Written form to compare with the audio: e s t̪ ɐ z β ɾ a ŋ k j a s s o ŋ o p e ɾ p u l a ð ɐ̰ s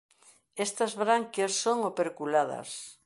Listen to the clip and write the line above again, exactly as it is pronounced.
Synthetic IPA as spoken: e s t̪ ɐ z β ɾ a ŋ k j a s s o ŋ o p e ɾ k u l a ð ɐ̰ s